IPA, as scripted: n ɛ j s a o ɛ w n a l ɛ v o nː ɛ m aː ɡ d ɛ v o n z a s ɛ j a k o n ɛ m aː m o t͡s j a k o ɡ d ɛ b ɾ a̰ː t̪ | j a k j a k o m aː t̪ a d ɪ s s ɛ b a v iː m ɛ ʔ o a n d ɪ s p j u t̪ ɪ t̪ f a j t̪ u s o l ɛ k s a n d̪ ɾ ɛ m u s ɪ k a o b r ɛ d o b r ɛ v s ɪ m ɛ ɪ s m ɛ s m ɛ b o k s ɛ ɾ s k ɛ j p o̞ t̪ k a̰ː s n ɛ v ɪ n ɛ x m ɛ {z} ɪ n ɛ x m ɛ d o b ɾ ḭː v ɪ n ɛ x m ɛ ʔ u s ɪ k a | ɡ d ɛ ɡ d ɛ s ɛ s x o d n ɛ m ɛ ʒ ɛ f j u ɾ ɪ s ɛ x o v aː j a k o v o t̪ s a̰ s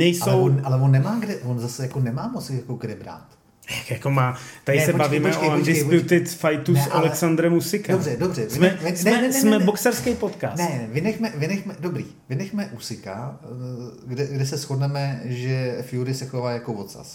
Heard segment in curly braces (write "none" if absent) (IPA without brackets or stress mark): v